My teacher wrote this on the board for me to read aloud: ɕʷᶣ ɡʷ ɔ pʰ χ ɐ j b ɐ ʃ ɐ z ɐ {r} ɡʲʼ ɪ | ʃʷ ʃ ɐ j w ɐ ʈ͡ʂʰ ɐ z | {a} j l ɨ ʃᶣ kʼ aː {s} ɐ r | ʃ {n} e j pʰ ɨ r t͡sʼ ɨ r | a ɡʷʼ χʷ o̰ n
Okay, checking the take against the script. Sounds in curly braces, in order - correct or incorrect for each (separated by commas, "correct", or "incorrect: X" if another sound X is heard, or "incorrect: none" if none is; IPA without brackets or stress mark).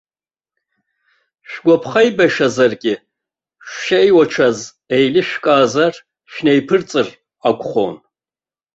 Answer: correct, incorrect: e, incorrect: z, correct